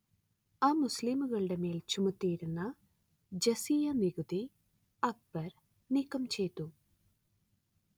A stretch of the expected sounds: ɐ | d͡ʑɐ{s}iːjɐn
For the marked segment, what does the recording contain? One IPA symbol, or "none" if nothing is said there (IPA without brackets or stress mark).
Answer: s